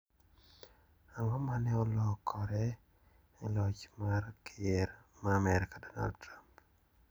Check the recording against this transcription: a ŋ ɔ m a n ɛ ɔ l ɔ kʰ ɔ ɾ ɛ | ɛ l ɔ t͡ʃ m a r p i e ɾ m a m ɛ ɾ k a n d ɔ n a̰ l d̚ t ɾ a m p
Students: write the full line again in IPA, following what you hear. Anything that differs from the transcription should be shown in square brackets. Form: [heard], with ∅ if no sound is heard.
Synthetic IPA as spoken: a ŋ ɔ m a n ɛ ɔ l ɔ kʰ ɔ ɾ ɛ | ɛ l ɔ t͡ʃ m a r [k] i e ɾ m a m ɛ ɾ k a [∅] d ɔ n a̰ l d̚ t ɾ a m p